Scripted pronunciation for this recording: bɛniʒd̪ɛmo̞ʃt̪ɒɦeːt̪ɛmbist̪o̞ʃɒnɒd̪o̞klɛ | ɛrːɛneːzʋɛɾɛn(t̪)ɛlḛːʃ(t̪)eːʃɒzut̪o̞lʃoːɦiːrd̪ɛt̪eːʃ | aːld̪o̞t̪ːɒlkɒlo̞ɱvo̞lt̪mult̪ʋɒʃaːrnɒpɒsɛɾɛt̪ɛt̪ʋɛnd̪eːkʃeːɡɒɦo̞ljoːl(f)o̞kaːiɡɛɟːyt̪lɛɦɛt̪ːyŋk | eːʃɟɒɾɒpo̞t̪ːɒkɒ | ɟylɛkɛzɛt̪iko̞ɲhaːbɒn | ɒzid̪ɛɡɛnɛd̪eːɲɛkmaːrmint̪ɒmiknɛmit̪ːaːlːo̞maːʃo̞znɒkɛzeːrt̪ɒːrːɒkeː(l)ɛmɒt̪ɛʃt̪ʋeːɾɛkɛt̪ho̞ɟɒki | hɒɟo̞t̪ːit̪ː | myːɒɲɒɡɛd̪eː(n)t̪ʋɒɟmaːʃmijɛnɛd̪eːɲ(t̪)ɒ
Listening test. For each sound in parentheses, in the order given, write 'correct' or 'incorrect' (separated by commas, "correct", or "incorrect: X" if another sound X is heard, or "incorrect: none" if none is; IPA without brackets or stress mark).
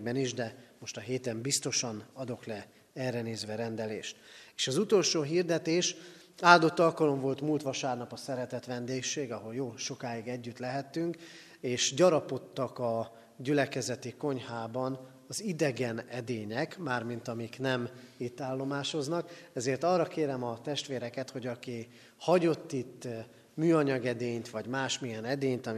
incorrect: d̪, correct, incorrect: ʃ, incorrect: ɾ, incorrect: ɲ, correct